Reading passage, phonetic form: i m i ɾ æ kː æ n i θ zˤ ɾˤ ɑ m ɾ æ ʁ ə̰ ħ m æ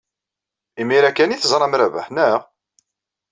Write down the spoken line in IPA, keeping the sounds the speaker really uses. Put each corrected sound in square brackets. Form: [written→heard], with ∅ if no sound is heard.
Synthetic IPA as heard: i m i ɾ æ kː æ n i θ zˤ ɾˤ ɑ m ɾ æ [ʁ→v] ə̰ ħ [m→n] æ